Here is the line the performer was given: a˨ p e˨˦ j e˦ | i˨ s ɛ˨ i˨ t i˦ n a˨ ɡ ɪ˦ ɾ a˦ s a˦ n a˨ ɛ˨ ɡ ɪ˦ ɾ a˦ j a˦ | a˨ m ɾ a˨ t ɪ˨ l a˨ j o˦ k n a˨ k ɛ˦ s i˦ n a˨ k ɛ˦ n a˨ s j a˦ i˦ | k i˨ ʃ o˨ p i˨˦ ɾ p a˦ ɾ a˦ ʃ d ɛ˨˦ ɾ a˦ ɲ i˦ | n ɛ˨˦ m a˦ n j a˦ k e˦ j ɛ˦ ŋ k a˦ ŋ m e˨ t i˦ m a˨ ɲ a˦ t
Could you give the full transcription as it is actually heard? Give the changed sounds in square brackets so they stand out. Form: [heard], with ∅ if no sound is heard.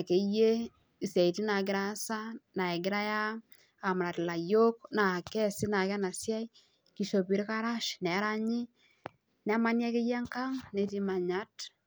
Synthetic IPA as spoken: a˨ [k] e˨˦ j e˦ | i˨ s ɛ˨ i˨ t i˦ n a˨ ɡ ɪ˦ ɾ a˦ s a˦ n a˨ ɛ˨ ɡ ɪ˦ ɾ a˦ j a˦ | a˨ m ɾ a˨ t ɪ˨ l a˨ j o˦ k n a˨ k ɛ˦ s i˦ n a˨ k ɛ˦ n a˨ s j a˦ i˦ | k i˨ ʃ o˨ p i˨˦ ɾ [k] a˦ ɾ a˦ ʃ [n] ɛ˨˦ ɾ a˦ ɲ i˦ | n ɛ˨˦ m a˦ n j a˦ k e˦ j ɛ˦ ŋ k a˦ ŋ [n] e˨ t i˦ m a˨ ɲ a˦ t